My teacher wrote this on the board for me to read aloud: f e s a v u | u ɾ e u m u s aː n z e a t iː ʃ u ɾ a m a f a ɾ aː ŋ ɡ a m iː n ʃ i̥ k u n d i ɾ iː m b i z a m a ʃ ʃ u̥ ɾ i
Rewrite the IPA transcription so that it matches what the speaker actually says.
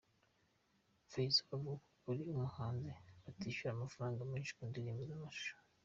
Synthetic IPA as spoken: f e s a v u | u ɾ i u m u h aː n z e a t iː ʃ u ɾ a m a f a ɾ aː ŋ ɡ a m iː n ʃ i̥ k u n d i ɾ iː m b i z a m a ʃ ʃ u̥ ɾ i

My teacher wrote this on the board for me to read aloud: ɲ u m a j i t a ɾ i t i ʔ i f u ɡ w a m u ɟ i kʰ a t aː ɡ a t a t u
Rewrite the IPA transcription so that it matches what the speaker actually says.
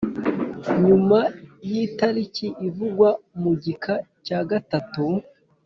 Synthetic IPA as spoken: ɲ u m a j i t a ɾ i c i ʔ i v u ɡ w a m u ɟ i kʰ a c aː ɡ a t a t u

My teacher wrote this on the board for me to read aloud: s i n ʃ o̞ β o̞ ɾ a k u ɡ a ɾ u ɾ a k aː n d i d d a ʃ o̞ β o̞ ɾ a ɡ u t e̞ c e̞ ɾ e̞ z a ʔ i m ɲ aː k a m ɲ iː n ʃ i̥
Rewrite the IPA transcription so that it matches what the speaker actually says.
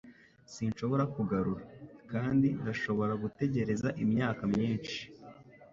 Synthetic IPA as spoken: s i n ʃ o̞ β o̞ ɾ a k u ɡ a ɾ u ɾ a k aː n d i n d a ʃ o̞ β o̞ ɾ a ɡ u t e̞ ɟ e̞ ɾ e̞ z a ʔ i m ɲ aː k a m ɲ iː n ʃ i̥

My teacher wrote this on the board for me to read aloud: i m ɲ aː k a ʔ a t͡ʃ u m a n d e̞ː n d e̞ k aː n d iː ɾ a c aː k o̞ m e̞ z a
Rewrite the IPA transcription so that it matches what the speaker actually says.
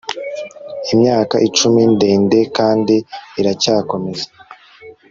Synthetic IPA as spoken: i m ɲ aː k a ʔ i t͡ʃ u m i n d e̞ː n d e̞ k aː n d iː ɾ a c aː k o̞ m e̞ z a

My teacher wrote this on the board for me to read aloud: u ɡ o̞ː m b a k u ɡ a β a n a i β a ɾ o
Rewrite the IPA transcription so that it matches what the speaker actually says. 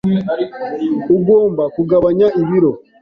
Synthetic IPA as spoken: u ɡ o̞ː m b a k u ɡ a β a ɲ a i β i ɾ o

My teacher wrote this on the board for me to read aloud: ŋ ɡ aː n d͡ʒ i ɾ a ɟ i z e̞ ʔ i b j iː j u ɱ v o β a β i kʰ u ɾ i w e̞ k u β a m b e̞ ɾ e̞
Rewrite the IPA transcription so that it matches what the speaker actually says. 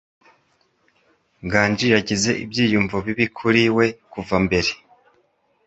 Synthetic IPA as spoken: ŋ ɡ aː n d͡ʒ i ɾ a ɟ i z e̞ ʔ i b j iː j u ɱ v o β i β i kʰ u ɾ i w e̞ k u v a m b e̞ ɾ e̞

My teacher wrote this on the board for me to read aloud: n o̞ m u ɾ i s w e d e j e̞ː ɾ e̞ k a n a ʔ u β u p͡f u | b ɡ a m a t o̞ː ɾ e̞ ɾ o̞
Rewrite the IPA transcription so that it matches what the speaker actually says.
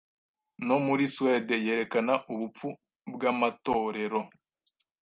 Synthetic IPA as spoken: n o̞ m u ɾ i s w e d e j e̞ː ɾ e̞ k a n a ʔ u β u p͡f u | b ɡ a m a t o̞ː ɾ e̞ ɾ o̞

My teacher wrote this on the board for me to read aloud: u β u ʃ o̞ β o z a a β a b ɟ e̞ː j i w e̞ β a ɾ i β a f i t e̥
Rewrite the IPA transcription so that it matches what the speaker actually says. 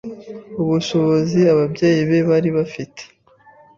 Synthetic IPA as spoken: u β u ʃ o̞ β o z i a β a b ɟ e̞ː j i β e̞ β a ɾ i β a f i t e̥

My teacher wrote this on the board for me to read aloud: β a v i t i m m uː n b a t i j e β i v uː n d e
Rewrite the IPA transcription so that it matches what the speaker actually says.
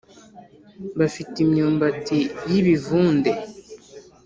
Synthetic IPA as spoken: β a f i t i m ɲ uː m b a t i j i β i v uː n d e

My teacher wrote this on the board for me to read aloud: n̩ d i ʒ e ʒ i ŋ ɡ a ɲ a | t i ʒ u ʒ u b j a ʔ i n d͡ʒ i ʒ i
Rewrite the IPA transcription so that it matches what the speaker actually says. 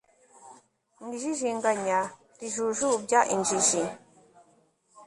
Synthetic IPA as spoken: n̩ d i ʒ i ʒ i ŋ ɡ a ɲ a | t i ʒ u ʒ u b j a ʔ i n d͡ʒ i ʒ i

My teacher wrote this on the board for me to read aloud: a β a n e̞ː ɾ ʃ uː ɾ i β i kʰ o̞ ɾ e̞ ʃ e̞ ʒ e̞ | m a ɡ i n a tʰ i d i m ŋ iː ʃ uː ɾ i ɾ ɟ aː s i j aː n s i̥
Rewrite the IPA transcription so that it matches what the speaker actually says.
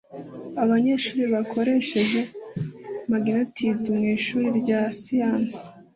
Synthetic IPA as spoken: a β a ɲ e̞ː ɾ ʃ uː ɾ i β a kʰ o̞ ɾ e̞ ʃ e̞ ʒ e̞ | m a ɡ i n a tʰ i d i m ŋ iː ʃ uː ɾ i ɾ ɟ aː s i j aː n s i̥

